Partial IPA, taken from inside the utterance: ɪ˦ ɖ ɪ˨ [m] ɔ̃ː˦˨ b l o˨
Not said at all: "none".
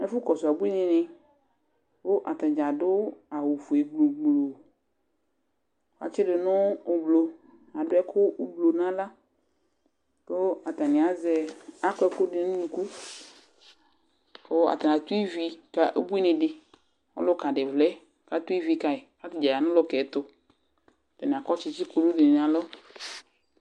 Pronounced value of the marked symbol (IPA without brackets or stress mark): n